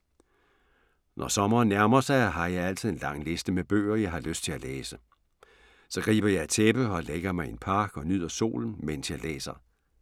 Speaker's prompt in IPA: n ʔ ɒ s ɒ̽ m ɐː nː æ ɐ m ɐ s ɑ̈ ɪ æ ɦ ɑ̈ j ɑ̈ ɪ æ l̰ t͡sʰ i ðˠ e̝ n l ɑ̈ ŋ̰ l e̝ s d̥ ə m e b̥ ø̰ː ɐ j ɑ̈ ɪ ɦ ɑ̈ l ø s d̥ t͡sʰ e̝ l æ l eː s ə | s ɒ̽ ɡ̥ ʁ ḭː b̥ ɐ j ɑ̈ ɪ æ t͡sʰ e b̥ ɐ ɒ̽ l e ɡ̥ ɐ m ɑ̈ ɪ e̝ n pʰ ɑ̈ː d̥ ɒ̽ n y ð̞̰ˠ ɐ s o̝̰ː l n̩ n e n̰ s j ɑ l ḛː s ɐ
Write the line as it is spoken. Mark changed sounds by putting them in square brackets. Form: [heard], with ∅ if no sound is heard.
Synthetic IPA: n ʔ ɒ s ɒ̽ m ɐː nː æ ɐ m ɐ s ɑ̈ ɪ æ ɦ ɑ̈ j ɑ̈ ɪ æ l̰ t͡sʰ i ðˠ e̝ n l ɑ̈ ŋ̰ l e̝ s d̥ ə m e b̥ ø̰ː ɐ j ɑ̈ ɪ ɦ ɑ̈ l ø s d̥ t͡sʰ e̝ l æ l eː s ə | s ɒ̽ ɡ̥ ʁ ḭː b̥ ɐ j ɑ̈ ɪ æ t͡sʰ e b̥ [ə] ɒ̽ l e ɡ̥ ɐ m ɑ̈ ɪ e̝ n pʰ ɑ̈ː [ɡ̥] ɒ̽ n y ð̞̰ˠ ɐ s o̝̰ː l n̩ [m] e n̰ s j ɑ l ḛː s ɐ